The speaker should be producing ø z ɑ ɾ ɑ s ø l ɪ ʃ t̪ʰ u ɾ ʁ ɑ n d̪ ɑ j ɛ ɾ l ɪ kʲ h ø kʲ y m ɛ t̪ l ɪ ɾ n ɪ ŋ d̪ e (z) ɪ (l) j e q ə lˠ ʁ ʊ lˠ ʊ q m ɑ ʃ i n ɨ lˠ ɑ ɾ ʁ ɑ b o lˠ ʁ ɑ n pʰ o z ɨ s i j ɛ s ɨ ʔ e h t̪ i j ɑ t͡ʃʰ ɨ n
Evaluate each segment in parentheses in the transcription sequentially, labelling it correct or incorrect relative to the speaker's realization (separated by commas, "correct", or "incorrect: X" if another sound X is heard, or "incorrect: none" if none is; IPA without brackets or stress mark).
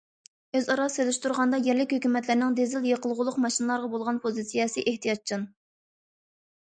correct, correct